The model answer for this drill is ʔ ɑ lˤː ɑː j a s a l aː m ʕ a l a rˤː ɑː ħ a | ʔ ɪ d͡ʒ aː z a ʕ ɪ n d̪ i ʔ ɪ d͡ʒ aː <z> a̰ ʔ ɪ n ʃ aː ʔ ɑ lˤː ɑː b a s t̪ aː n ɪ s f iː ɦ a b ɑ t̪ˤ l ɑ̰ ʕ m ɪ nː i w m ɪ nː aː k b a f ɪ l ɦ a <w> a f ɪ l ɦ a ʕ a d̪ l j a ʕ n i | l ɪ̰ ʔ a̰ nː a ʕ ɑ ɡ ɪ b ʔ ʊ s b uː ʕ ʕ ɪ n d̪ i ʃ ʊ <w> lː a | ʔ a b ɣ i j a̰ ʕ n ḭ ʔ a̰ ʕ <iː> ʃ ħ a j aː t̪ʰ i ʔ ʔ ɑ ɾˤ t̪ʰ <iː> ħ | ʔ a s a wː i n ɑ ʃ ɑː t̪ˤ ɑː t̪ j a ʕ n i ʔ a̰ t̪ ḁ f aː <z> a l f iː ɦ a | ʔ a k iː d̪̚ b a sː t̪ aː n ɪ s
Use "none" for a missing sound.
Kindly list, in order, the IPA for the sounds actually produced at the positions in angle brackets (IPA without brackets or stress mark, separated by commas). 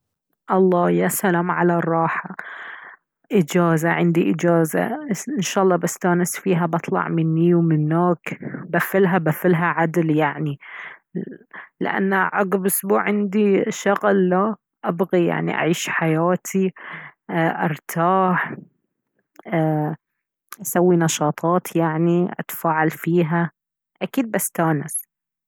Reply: z, b, ɣ, iː, aː, ʕ